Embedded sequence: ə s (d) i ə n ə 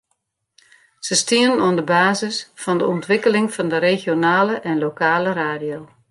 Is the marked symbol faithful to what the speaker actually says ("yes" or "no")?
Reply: no